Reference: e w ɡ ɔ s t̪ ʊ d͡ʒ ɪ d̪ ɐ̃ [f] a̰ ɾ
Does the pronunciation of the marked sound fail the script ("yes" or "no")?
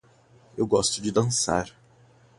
yes